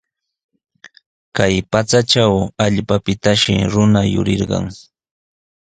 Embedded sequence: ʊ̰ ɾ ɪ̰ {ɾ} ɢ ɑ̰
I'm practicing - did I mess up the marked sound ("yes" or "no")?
no